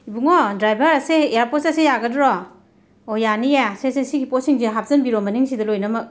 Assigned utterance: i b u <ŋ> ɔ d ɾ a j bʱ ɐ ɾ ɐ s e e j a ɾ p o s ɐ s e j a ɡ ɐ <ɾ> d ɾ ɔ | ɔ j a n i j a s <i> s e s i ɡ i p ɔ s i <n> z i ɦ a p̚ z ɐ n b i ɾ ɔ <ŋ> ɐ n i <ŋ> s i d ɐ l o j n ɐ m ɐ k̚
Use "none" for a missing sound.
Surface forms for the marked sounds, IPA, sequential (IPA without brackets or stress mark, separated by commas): ŋ, none, e, ŋ, m, ŋ